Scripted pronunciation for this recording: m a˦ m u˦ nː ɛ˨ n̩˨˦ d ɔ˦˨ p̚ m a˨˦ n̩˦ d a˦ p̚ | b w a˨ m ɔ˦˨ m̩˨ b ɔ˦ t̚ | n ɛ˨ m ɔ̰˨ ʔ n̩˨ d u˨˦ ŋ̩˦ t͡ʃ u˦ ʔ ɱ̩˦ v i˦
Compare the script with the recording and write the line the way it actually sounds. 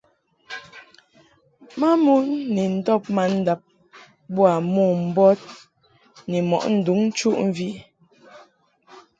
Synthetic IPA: m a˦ m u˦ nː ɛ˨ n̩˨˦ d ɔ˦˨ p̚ m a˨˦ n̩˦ d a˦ p̚ | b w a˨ m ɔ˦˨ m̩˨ b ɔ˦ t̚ | n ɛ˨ m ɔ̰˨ ʔ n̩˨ d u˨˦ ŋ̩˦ t͡ʃ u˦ ʔ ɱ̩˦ v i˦